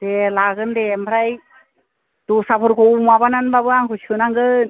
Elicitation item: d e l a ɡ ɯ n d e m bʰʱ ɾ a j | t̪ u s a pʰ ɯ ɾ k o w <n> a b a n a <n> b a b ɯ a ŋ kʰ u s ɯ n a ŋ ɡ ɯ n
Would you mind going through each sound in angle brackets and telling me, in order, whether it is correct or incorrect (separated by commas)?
incorrect, correct